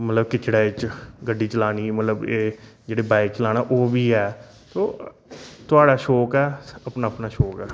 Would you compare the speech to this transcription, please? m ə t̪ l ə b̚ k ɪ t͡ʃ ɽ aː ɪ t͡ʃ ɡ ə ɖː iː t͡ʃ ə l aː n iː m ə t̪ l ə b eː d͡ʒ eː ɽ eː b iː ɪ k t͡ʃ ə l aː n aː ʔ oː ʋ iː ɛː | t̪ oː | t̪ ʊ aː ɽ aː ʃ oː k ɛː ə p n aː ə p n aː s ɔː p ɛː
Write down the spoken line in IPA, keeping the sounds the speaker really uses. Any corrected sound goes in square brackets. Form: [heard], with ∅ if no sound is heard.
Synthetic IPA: m ə t̪ l ə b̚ k ɪ t͡ʃ ɽ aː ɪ t͡ʃ ɡ ə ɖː iː t͡ʃ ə l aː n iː m ə t̪ l ə b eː d͡ʒ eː ɽ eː b [aː] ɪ k t͡ʃ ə l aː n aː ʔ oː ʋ iː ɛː | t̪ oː | t̪ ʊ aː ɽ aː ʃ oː k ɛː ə p n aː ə p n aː [ʃ] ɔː [k] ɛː